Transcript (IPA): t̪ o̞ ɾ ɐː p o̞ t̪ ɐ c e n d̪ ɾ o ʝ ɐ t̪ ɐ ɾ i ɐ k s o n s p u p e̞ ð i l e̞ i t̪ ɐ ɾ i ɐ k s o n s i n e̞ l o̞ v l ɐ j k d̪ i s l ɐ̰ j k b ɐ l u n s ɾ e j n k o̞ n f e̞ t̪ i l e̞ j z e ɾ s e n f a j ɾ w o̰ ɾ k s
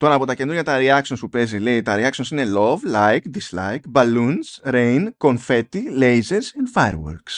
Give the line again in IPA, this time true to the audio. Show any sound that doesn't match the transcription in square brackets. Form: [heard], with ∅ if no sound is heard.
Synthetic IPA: t̪ o̞ ɾ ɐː p o̞ t̪ ɐ c e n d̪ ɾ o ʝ ɐ t̪ ɐ ɾ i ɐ k s o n s p u p e̞ [z] i l e̞ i t̪ ɐ ɾ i ɐ k s o n s i n e̞ l o̞ v l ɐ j k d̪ i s l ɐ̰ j k b ɐ l u n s ɾ e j n k o̞ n f e̞ t̪ i l e̞ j z e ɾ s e n f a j ɾ w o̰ ɾ k s